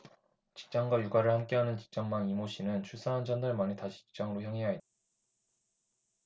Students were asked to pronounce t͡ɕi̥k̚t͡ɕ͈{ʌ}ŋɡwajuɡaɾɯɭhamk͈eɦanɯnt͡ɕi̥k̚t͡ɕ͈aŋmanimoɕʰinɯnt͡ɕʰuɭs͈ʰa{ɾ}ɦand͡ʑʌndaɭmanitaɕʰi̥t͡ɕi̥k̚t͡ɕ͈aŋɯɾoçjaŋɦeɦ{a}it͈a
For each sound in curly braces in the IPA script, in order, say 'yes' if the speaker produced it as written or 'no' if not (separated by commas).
no, no, yes